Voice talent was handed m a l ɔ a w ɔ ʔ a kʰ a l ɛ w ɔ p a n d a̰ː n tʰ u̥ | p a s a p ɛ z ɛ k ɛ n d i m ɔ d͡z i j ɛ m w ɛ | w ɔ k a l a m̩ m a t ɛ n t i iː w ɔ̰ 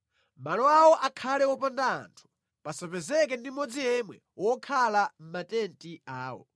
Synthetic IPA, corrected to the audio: m a l ɔ a w ɔ ʔ a kʰ a l ɛ w ɔ p a n d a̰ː n tʰ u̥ | p a s a p ɛ z ɛ k ɛ n d i m ɔ d͡z i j ɛ m w ɛ | w ɔ kʰ a l a m̩ m a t ɛ n t i aː w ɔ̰